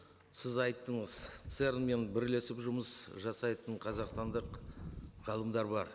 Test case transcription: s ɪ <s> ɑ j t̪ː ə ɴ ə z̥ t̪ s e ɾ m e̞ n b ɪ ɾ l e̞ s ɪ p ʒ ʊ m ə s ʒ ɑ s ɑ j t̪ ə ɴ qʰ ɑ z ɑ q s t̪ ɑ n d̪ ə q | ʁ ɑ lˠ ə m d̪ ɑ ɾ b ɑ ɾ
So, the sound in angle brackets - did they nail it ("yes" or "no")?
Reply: no